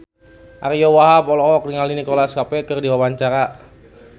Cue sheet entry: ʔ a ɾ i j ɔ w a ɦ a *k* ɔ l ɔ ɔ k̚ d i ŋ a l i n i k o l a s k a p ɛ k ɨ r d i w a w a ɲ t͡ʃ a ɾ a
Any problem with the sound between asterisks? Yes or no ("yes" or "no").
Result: yes